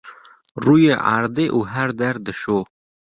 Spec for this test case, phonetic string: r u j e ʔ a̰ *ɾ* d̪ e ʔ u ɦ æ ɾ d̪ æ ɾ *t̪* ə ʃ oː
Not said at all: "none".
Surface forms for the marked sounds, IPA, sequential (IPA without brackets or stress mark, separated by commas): ɾ, d̪